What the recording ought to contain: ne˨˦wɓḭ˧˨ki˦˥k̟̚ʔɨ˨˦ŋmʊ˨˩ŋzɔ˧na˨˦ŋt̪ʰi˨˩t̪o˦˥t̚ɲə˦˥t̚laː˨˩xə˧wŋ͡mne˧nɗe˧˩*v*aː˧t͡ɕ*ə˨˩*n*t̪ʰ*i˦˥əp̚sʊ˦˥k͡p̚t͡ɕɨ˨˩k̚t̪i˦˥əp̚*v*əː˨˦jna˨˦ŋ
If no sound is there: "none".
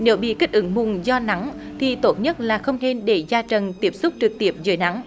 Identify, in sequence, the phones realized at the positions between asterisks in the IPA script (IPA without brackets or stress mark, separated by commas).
z, ə˨˩, t̪, z